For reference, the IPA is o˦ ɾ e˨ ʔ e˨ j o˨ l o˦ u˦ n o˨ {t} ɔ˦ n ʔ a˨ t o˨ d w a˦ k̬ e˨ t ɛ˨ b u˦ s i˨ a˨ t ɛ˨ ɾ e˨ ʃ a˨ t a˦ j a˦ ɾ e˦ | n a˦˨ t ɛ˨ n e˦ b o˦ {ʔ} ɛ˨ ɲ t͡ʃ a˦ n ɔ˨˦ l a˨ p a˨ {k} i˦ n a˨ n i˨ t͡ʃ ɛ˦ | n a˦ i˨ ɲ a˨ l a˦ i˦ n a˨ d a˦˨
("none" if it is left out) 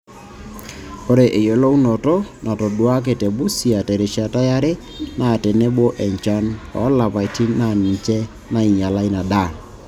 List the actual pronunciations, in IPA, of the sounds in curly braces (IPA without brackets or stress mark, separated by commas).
t, ʔ, t